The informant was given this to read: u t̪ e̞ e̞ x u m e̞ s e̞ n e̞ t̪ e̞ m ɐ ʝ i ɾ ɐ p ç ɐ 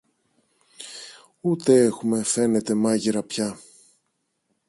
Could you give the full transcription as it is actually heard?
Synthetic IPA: u t̪ e̞ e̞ x u m e̞ f e̞ n e̞ t̪ e̞ m ɐ ʝ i ɾ ɐ p ç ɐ